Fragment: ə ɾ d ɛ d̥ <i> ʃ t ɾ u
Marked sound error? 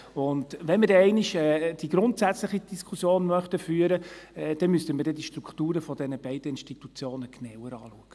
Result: no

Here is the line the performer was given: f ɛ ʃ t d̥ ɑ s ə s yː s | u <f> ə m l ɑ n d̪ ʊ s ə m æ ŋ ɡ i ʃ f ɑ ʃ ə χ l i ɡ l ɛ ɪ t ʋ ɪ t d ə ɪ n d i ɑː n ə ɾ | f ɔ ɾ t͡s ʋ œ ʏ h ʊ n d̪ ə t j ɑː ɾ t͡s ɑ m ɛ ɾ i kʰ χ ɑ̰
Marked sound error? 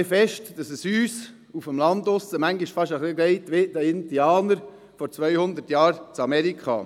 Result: no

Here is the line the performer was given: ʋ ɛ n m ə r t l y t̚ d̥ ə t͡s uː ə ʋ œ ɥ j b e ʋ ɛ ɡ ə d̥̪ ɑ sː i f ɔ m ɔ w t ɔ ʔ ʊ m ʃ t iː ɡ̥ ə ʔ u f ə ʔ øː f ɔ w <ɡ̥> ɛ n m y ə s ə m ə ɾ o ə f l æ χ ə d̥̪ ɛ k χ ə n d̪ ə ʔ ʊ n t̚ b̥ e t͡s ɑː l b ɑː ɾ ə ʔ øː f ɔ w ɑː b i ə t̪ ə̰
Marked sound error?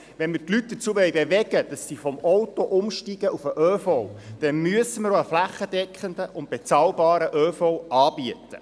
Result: yes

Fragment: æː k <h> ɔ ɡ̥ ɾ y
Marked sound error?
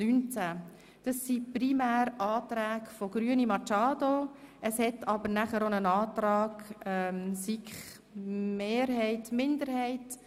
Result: yes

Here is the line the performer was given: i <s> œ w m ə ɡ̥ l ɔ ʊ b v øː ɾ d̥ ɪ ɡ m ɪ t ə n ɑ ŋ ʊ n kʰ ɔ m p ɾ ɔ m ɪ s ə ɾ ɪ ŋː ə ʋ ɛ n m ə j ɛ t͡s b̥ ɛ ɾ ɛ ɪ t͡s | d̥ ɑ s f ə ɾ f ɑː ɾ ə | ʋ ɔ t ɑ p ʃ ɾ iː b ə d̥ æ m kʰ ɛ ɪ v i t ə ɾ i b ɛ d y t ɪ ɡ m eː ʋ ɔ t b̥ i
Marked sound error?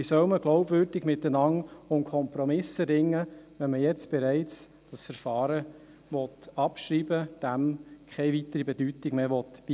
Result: no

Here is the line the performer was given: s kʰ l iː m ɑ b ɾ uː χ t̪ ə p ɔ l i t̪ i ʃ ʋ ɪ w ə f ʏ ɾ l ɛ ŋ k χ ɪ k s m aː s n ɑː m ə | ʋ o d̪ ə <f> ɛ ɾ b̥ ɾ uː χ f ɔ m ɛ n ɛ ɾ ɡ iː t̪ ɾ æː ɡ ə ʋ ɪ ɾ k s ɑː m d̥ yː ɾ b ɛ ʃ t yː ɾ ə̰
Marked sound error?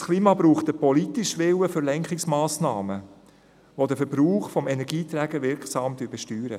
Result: no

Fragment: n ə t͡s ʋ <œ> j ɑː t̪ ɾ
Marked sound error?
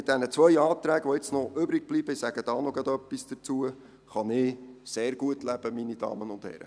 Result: no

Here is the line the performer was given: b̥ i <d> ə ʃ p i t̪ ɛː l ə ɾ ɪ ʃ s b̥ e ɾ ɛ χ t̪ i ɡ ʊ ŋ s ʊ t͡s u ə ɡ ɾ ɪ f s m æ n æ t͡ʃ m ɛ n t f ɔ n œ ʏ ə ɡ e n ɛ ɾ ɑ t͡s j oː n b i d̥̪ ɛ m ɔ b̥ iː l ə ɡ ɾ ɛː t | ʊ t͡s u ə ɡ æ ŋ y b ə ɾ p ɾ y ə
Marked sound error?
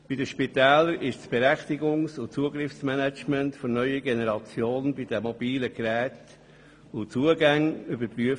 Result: no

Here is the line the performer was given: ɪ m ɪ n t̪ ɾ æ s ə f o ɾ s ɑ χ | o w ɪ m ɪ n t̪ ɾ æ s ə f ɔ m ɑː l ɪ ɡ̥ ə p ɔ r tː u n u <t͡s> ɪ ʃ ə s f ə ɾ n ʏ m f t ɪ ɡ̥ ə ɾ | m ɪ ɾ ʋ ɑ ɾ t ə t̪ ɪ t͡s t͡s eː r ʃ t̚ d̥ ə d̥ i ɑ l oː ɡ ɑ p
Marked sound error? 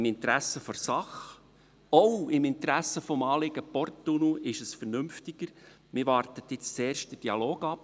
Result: yes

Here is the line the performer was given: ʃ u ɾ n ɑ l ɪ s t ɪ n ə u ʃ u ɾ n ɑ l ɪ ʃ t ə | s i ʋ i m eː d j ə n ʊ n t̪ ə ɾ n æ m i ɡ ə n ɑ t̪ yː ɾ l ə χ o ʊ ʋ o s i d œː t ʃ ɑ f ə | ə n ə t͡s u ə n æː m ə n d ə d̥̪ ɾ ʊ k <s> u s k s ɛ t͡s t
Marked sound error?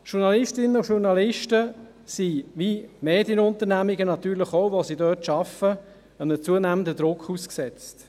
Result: yes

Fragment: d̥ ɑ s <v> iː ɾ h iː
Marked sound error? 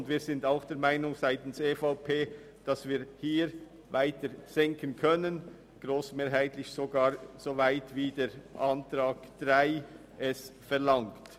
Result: no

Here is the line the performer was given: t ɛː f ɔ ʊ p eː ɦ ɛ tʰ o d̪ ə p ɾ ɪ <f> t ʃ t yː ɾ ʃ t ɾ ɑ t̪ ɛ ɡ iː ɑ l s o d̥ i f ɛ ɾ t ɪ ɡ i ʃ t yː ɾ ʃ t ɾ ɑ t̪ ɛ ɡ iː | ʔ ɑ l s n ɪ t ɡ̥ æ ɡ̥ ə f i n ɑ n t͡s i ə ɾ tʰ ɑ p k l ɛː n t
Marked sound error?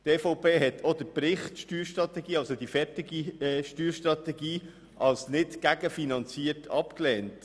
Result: yes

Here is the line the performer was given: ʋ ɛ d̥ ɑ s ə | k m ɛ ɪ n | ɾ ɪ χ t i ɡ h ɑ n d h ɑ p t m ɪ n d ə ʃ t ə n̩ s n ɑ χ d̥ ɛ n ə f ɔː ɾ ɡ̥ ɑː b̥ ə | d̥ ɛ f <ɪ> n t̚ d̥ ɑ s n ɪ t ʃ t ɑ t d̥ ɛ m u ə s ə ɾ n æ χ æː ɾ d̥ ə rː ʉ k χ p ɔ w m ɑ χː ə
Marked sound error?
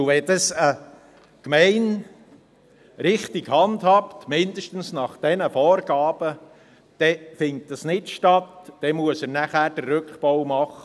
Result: no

